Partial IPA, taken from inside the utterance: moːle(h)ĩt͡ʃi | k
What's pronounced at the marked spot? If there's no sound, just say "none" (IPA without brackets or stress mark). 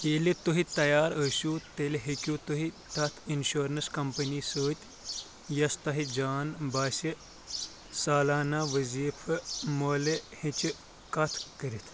h